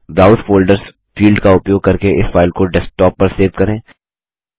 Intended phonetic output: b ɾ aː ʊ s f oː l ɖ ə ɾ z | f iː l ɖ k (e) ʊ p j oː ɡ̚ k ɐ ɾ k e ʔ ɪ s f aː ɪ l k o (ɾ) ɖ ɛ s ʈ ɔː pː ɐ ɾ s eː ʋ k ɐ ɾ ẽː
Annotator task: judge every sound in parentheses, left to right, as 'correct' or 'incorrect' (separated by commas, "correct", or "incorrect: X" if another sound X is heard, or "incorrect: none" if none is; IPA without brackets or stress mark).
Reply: incorrect: a, incorrect: none